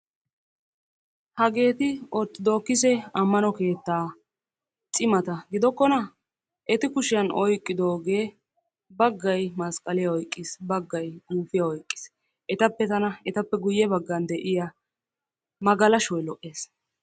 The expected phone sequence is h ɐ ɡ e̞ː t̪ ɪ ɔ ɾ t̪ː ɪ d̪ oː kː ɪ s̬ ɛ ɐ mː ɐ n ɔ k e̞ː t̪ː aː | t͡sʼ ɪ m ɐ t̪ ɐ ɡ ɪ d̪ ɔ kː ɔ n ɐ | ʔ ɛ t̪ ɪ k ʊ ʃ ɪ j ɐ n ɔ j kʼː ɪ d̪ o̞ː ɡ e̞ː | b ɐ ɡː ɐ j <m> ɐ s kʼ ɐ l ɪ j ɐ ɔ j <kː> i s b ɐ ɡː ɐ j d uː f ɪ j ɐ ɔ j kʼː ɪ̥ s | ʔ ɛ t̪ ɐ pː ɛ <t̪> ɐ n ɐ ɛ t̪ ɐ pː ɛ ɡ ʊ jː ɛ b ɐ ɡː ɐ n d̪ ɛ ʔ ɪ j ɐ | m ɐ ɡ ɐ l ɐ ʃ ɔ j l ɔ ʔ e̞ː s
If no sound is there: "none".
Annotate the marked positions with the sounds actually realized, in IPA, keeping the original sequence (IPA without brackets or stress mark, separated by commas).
m, kʼː, t̪